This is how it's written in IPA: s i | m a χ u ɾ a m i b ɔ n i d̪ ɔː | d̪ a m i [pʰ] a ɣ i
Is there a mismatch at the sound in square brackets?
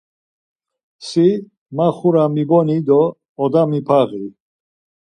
no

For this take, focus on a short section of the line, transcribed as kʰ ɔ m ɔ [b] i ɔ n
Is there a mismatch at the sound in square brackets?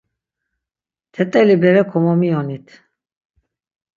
yes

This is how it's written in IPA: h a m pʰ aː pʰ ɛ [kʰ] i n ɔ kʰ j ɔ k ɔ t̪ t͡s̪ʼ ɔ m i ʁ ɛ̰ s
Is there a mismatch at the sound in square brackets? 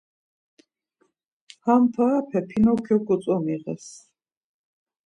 yes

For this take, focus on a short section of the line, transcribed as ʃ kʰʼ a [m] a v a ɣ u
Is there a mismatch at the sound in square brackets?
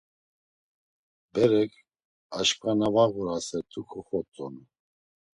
yes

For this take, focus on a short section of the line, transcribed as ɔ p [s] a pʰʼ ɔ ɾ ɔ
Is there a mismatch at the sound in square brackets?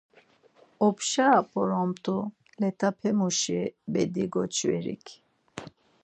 yes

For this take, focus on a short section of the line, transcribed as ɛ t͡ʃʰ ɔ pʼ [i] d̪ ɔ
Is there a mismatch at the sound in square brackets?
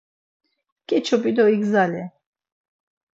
no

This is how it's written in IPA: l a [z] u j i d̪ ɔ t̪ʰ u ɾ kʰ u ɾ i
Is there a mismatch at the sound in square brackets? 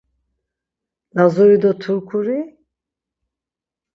no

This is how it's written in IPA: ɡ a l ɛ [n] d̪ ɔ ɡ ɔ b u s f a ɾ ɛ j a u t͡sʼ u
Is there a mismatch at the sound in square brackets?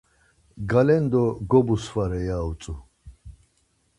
no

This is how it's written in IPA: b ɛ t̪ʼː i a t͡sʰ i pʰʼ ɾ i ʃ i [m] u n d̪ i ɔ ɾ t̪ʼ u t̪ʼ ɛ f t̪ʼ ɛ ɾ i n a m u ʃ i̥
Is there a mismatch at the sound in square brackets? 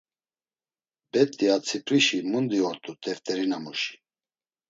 no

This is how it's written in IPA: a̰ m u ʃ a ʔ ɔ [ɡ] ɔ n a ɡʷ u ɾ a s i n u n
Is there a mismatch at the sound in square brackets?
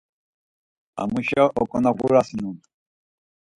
yes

